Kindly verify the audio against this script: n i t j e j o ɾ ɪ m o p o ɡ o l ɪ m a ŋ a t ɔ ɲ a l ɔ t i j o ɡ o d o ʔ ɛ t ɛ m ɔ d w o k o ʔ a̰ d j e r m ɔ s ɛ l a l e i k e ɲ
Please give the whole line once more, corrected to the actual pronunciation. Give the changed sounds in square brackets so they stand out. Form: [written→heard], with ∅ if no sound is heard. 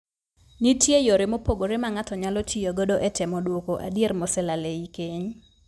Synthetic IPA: n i t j e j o ɾ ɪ m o p o ɡ o [l→ɾ] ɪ m a ŋ a t ɔ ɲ a l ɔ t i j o ɡ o d o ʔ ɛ t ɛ m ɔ d w o k o ʔ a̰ d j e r m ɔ s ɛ l a l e i k e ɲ